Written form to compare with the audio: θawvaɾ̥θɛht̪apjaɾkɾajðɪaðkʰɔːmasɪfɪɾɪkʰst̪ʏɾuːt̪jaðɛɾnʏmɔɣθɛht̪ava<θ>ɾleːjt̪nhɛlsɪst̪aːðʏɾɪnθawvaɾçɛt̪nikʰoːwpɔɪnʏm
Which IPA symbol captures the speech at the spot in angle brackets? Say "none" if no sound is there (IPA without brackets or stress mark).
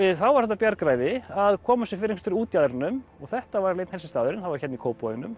none